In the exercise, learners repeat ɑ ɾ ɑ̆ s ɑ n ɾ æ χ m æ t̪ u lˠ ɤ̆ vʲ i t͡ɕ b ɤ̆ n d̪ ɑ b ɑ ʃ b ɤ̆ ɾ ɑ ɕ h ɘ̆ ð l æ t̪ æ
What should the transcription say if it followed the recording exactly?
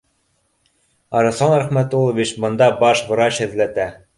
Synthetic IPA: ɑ ɾ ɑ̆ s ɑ n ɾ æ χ m æ t̪ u lˠ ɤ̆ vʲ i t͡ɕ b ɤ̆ n d̪ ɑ b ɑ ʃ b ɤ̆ ɾ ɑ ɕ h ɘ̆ ð l æ t̪ æ

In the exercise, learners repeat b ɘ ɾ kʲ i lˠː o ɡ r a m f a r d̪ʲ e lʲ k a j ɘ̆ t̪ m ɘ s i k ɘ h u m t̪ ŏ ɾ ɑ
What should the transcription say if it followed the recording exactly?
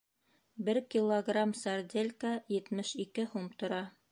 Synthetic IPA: b ɘ ɾ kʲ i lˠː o ɡ r a m s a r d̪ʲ e lʲ k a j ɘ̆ t̪ m ɘ ʃ i k ɘ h u m t̪ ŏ ɾ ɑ

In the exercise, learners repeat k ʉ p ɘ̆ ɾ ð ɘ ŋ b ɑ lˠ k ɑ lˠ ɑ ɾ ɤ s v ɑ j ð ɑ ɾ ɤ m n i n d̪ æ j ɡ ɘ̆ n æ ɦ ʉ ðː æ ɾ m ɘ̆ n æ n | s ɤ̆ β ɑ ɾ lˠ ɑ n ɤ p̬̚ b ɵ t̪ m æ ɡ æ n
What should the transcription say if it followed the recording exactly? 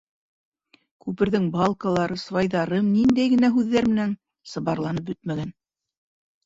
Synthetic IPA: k ʉ p ɘ̆ ɾ ð ɘ ŋ b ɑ lˠ k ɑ lˠ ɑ ɾ ɤ s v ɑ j ð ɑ ɾ ɤ m n i n d̪ æ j ɡ ɘ̆ n æ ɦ ʉ ðː æ ɾ m ɘ̆ n æ n | s ɤ̆ β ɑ ɾ lˠ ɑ n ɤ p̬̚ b ɵ t̪ m æ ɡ æ n

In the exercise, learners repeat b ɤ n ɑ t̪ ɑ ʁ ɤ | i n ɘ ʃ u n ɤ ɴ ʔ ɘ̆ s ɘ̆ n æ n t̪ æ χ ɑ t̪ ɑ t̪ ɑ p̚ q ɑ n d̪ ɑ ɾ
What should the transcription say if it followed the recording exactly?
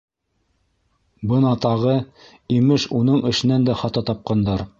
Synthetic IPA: b ɤ n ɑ t̪ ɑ ʁ ɤ | i m ɘ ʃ u n ɤ ɴ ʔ ɘ̆ ʃ ɘ̆ n æ n d̪ æ χ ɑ t̪ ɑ t̪ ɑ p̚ q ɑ n d̪ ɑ ɾ

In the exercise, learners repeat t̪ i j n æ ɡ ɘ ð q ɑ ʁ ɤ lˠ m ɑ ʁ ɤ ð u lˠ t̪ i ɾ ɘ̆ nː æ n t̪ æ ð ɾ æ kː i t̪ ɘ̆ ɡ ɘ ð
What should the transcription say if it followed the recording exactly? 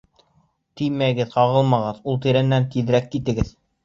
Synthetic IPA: t̪ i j m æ ɡ ɘ ð q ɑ ʁ ɤ lˠ m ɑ ʁ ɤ ð u lˠ t̪ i ɾ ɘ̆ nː æ n t̪ i ð ɾ æ kː i t̪ ɘ̆ ɡ ɘ ð

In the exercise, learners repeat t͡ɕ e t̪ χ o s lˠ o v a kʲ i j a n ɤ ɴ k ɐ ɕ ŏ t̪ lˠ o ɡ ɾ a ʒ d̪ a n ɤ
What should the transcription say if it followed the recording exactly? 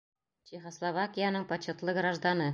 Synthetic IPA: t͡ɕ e χ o s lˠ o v a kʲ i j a n ɤ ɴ p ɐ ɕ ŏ t̪ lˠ ɤ ɡ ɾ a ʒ d̪ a n ɤ

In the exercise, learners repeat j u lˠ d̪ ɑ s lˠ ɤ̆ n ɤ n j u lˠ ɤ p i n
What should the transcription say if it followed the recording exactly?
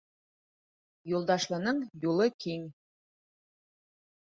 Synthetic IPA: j u lˠ d̪ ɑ ʃ lˠ ɤ̆ n ɤ ɴ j u lˠ ɤ k i ŋ

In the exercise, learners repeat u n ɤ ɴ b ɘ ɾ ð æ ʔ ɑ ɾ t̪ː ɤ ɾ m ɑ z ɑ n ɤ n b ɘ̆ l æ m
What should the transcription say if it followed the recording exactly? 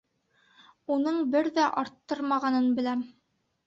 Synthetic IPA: u n ɤ ɴ b ɘ ɾ ð æ ʔ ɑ ɾ t̪ː ɤ ɾ m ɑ ʁ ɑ n ɤ n b ɘ̆ l æ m

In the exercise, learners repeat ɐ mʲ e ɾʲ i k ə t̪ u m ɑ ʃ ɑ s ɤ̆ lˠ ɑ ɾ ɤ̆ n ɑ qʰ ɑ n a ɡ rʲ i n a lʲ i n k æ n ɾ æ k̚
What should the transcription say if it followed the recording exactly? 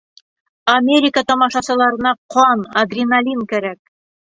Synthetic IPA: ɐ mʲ e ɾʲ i k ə t̪ ɒ m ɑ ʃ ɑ s ɤ̆ lˠ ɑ ɾ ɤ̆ n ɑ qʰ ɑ n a ɡ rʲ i n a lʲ i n k æ ɾ æ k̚

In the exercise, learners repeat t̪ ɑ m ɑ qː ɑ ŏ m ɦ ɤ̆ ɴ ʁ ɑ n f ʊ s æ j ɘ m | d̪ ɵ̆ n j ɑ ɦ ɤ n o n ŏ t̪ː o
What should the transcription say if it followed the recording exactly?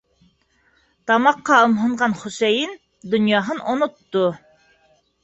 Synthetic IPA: t̪ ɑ m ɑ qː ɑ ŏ m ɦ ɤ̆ ɴ ʁ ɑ n χ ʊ s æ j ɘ n | d̪ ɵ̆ n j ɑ ɦ ɤ n o n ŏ t̪ː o

